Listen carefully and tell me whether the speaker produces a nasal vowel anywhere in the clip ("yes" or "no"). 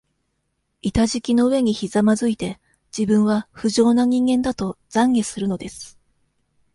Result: yes